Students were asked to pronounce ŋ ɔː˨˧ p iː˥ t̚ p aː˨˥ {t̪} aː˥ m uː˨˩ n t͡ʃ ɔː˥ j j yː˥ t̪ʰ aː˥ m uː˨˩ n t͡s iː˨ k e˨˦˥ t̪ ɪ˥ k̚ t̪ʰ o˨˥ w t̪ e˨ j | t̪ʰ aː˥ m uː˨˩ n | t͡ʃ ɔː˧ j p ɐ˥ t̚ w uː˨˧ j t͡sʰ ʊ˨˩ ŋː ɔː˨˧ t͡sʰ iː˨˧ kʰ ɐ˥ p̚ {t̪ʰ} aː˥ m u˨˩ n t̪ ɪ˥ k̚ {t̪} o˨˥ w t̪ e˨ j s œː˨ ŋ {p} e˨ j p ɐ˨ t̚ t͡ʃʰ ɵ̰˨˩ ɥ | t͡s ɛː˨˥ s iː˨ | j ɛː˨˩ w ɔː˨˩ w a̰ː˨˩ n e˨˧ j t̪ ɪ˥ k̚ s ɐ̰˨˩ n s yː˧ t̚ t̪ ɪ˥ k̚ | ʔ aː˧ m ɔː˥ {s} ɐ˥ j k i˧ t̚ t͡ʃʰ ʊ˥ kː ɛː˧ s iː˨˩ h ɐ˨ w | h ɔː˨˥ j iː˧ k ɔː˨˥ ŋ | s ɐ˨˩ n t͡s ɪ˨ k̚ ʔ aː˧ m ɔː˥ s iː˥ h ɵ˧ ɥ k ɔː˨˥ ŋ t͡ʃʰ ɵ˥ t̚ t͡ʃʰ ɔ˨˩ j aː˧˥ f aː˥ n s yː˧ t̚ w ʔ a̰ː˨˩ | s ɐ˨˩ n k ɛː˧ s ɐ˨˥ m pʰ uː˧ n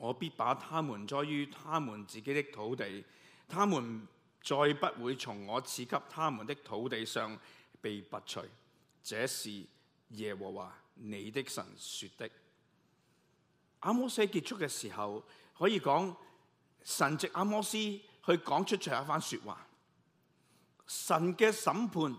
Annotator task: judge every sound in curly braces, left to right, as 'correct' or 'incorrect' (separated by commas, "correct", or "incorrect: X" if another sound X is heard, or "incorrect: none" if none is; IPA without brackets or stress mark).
incorrect: t̪ʰ, correct, incorrect: t̪ʰ, correct, correct